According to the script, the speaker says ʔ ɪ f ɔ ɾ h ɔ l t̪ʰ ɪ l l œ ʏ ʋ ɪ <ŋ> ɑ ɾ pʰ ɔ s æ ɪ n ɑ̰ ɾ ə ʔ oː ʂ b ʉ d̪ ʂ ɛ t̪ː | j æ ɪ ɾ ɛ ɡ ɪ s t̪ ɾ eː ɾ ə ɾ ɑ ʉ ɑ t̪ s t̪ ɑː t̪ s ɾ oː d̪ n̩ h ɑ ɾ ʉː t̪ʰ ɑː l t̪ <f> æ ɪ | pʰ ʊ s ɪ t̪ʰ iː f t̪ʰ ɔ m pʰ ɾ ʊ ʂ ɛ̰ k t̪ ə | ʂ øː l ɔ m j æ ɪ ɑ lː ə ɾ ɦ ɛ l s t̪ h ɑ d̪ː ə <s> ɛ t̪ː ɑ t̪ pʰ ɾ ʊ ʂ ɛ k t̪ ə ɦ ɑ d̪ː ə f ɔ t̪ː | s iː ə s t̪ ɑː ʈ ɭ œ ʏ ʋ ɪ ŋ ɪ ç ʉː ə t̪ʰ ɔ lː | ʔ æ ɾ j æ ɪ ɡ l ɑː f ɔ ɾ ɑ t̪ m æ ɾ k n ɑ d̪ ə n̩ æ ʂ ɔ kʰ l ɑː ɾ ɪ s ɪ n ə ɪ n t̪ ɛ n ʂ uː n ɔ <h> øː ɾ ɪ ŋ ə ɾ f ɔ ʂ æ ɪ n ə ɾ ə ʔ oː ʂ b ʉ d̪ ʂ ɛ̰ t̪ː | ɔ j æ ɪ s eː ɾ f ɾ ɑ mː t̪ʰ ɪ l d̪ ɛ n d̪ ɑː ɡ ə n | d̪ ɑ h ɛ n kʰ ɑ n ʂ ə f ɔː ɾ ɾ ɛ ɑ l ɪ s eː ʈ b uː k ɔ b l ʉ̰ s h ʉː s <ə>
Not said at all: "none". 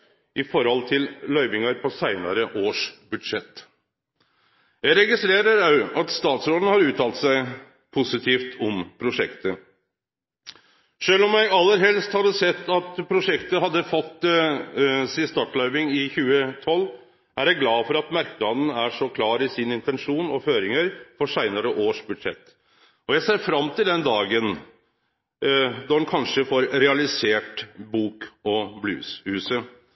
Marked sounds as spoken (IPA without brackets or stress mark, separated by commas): ŋ, s, s, f, ə